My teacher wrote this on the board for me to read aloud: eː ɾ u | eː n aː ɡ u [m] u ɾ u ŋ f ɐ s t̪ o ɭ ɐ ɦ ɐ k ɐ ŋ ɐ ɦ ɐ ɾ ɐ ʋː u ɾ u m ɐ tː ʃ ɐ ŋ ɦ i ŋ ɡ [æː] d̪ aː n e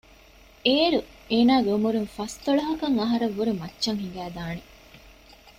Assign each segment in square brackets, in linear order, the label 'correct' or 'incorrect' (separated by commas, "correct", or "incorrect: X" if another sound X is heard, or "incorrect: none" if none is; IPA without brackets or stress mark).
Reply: correct, correct